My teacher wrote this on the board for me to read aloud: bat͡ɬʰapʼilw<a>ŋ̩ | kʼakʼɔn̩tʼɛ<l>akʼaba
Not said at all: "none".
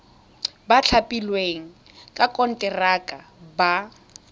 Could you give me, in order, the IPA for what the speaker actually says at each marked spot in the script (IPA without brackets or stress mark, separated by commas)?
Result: e, r